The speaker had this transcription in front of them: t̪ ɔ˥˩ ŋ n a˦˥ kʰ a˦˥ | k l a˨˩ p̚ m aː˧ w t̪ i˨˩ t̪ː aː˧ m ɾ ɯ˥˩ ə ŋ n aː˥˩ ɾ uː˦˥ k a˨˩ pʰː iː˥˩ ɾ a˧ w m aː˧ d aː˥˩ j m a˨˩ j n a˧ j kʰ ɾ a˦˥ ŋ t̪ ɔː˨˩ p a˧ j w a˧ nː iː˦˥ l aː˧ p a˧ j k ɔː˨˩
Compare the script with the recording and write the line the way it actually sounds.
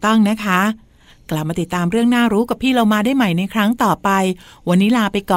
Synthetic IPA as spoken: t̪ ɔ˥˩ ŋ n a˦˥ kʰ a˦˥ | k l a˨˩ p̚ m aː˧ t̪ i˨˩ t̪ː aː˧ m ɾ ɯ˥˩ ə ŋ n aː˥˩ ɾ uː˦˥ k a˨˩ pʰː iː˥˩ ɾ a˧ w m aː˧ d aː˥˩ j m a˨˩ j n a˧ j kʰ ɾ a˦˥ ŋ t̪ ɔː˨˩ p a˧ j w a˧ nː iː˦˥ l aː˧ p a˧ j k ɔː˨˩